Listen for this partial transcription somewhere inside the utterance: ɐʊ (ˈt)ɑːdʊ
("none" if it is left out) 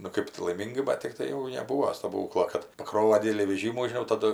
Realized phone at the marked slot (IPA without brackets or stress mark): t